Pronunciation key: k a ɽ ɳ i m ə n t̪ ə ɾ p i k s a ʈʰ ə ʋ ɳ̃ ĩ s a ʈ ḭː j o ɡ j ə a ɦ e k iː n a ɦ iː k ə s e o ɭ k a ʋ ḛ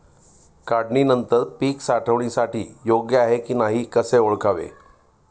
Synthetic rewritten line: k a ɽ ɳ i n ə n t̪ ə ɾ p iː k s a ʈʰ ə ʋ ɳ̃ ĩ s a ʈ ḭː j o ɡ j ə a ɦ e k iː n a ɦ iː k ə s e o ɭ k a ʋ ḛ